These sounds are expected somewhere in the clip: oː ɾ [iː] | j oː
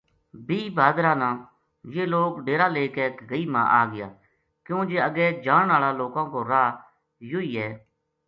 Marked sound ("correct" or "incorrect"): incorrect